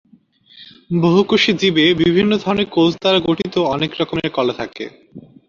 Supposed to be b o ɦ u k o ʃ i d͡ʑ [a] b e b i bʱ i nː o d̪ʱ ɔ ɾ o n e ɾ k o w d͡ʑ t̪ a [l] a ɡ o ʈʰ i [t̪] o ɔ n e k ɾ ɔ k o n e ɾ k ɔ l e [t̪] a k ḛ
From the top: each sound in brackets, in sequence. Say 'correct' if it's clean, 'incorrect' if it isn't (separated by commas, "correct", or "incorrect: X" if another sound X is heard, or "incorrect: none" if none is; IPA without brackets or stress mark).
incorrect: i, incorrect: ɾ, correct, incorrect: t̪ʰ